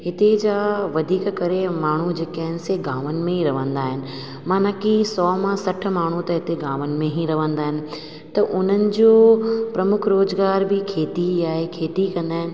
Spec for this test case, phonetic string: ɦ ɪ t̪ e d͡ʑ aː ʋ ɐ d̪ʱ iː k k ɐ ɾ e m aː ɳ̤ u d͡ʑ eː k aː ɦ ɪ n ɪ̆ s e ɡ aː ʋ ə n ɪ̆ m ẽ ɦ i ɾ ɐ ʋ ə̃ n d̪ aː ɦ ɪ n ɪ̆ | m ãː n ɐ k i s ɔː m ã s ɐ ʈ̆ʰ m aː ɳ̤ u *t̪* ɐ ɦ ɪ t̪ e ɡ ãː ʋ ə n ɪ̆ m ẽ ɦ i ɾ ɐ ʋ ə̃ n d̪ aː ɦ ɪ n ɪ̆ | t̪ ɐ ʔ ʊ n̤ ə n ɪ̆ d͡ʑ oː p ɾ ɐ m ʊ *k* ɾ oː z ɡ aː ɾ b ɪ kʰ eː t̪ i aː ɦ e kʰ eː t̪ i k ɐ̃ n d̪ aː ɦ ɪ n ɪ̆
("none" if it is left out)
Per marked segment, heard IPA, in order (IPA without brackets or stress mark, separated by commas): t̪, kʰ